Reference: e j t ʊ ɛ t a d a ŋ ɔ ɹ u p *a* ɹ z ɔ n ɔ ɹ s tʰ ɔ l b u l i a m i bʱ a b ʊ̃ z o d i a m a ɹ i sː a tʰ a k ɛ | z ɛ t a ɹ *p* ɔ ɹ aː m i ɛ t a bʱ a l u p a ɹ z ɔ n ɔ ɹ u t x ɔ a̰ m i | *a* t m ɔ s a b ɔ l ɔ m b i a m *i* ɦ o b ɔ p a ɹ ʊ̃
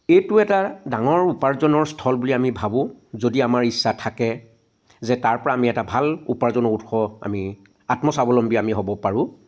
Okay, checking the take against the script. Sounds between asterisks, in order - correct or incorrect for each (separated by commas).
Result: correct, correct, correct, correct